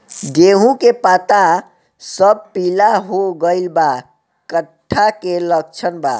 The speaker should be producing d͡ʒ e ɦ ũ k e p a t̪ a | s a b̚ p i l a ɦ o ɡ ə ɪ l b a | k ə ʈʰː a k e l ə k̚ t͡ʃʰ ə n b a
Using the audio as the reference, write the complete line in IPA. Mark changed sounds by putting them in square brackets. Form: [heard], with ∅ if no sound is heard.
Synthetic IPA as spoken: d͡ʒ e ɦ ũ k e p a t̪ a | s [ə] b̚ p i l a ɦ o ɡ ə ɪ l b a | k ə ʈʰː a k e l ə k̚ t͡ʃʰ ə n b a